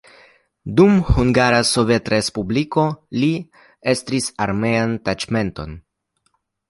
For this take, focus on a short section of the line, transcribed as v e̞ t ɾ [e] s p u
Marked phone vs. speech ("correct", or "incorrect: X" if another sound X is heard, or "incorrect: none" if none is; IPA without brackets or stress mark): correct